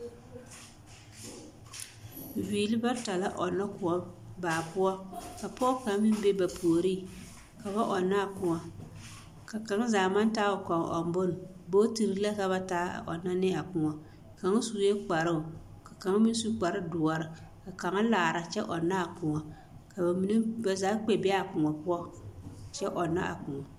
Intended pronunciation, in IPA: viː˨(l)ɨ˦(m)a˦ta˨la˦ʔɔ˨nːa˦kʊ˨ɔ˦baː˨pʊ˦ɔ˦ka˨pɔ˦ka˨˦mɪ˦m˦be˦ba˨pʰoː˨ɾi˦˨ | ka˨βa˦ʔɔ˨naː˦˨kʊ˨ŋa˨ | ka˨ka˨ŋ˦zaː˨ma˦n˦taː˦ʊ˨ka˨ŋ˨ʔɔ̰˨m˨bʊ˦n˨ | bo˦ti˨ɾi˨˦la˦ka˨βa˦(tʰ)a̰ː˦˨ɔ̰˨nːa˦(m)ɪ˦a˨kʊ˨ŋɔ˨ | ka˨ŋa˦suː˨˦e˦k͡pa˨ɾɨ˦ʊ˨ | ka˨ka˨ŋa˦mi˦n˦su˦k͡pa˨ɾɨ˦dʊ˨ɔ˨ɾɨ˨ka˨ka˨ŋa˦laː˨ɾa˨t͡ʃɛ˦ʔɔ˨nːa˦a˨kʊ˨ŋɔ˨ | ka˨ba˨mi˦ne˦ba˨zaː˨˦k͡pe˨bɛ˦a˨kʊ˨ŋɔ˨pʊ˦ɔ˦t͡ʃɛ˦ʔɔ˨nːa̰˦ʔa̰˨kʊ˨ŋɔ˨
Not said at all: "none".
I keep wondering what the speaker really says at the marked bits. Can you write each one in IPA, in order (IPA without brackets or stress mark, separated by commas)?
l, b, t, n